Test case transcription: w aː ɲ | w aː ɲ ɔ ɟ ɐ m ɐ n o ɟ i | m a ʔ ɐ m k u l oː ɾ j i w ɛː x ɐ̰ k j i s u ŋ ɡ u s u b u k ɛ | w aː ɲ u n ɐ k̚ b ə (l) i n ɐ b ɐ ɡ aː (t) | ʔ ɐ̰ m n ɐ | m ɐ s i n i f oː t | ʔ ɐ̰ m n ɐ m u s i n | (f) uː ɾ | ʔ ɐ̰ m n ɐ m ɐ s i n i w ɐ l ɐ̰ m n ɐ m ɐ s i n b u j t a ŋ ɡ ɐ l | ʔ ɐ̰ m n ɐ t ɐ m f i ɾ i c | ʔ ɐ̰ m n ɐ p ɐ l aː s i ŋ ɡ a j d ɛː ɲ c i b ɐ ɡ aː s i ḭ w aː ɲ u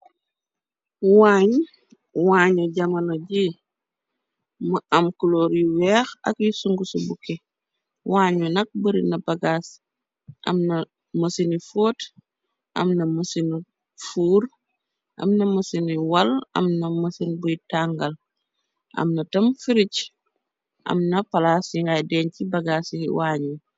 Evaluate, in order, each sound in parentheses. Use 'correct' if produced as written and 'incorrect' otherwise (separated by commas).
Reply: incorrect, incorrect, correct